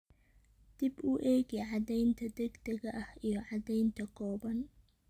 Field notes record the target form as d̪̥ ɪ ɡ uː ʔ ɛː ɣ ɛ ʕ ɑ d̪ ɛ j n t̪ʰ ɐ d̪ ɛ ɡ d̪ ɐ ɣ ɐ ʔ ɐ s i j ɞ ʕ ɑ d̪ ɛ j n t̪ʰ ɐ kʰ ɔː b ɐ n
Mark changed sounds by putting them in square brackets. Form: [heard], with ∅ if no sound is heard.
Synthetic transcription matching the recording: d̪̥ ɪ [b] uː ʔ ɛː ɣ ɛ ʕ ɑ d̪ ɛ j n t̪ʰ ɐ d̪ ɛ ɡ d̪ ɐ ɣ ɐ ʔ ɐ [h] i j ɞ ʕ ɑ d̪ ɛ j n t̪ʰ ɐ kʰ ɔː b ɐ n